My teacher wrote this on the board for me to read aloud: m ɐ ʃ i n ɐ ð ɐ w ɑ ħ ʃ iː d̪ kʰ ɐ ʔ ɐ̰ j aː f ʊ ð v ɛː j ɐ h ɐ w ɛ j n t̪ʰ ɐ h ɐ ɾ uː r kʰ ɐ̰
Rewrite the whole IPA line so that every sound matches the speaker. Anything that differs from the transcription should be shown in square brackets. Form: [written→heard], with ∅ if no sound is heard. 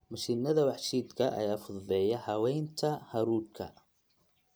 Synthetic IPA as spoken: m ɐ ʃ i n ɐ ð ɐ w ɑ ħ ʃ iː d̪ kʰ ɐ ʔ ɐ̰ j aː f ʊ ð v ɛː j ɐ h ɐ w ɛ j n t̪ʰ ɐ h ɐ ɾ uː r kʰ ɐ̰